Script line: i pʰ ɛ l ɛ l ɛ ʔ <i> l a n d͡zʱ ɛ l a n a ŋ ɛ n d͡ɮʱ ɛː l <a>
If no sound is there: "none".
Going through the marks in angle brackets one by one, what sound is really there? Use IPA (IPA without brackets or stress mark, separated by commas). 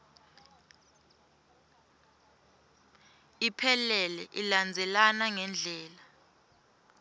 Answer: i, a